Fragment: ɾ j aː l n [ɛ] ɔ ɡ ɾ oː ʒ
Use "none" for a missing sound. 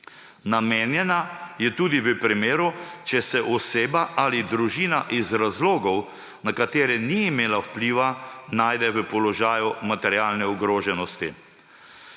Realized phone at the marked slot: ɛ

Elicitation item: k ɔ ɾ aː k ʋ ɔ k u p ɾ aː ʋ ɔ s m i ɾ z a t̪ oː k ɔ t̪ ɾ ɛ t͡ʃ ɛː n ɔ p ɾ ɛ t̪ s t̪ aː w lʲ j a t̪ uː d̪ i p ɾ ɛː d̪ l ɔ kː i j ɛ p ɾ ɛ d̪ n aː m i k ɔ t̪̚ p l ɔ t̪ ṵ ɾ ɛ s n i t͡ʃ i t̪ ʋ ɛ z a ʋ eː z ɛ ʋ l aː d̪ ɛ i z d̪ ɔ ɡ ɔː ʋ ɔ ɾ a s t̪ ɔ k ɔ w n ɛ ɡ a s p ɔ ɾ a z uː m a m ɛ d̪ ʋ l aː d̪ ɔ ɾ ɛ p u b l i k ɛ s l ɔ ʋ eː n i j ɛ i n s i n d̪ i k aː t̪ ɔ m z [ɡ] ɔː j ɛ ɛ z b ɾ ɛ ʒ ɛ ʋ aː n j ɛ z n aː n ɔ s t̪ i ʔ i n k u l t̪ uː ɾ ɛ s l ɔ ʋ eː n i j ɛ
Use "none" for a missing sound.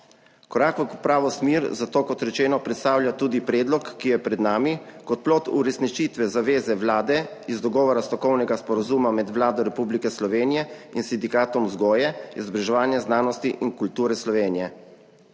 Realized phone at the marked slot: ɡ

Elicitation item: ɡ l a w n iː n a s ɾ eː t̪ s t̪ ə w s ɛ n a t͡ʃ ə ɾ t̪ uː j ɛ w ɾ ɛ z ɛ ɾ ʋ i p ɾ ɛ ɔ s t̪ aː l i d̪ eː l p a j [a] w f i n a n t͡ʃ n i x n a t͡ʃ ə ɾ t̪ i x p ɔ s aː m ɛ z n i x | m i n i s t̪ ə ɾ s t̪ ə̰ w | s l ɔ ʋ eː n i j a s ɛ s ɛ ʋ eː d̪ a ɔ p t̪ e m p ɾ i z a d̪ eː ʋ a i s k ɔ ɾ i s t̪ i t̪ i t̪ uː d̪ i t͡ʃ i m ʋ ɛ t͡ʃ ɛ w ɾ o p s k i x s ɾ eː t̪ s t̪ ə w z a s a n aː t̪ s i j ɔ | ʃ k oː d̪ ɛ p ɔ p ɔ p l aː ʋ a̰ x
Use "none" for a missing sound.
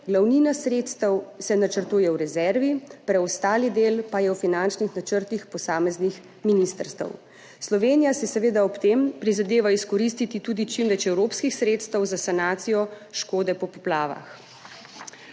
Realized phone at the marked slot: ɛ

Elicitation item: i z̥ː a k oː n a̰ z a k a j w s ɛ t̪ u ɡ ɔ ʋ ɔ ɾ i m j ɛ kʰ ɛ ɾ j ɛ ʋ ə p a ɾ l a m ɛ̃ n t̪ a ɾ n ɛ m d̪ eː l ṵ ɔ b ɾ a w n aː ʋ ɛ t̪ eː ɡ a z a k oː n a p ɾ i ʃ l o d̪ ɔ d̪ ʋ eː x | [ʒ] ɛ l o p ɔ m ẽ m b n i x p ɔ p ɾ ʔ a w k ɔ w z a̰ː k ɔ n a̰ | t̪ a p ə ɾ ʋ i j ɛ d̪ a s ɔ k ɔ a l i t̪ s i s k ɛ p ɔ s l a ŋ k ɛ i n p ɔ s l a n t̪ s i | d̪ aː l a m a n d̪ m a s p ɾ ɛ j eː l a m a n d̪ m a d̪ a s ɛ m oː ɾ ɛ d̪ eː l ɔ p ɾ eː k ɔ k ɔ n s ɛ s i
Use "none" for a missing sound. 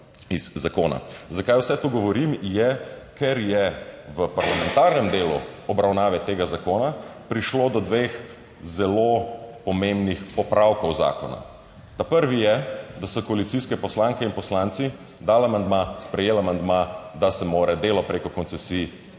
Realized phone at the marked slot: z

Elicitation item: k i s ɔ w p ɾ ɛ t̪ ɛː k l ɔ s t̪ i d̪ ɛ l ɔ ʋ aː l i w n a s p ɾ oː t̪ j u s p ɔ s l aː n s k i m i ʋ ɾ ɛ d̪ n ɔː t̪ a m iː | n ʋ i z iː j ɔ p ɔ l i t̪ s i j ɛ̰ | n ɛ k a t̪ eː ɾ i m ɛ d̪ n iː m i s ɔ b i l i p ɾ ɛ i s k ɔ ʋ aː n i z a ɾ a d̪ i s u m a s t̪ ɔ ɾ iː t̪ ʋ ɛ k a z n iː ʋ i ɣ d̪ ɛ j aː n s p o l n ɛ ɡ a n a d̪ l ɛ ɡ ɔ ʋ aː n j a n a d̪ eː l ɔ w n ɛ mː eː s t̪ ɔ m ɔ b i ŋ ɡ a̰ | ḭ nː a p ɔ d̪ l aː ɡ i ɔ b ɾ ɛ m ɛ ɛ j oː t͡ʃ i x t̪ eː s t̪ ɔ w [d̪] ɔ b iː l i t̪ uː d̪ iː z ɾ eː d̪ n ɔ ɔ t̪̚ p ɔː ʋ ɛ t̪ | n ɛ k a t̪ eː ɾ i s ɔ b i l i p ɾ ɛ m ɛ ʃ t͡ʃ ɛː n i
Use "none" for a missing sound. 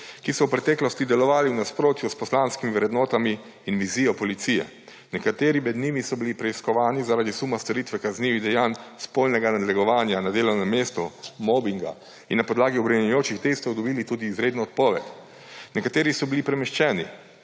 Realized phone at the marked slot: d̪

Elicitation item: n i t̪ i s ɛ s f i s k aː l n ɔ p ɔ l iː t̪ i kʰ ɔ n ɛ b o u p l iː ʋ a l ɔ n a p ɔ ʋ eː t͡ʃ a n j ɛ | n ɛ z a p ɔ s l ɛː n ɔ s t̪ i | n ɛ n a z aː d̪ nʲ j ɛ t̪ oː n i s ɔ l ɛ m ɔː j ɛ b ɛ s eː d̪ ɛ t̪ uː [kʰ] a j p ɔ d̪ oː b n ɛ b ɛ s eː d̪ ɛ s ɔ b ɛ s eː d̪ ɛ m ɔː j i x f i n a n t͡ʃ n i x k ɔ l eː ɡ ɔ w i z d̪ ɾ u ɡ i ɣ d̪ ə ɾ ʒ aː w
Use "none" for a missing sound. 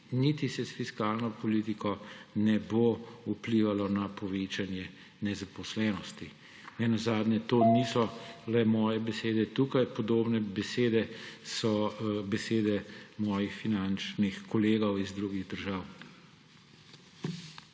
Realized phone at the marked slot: k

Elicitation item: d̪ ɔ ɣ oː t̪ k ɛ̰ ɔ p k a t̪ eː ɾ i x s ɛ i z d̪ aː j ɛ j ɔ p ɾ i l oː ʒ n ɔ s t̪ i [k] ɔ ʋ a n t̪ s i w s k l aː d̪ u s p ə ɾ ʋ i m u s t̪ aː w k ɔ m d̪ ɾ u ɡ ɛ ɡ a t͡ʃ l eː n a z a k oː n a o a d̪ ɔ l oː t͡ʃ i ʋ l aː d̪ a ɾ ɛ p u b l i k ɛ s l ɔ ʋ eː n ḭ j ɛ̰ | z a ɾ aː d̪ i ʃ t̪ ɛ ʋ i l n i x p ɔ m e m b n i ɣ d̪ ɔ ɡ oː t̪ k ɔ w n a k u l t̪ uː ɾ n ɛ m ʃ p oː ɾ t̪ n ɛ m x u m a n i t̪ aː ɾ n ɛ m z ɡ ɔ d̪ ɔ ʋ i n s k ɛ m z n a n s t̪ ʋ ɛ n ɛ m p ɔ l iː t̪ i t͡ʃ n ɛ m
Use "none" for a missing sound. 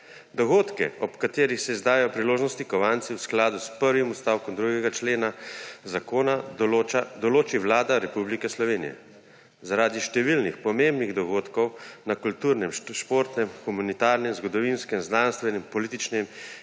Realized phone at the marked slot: k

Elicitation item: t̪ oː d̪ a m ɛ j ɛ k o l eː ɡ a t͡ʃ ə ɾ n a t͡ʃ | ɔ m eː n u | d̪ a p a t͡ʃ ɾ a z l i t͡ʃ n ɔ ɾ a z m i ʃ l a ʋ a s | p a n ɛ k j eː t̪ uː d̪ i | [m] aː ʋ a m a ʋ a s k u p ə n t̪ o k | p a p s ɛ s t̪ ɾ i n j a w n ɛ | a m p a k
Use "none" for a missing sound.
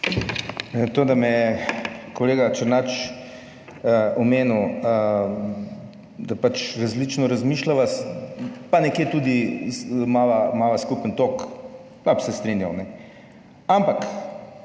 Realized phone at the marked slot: m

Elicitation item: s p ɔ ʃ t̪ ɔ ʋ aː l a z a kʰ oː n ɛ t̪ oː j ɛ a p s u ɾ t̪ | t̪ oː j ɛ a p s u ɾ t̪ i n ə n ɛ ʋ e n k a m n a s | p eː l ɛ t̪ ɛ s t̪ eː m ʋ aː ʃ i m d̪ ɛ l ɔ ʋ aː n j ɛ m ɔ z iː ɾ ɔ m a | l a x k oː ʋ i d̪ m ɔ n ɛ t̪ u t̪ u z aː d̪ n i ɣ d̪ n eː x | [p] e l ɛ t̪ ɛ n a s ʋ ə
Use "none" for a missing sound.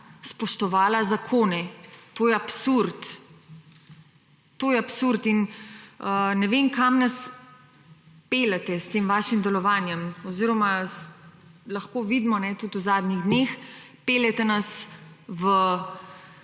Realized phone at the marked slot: p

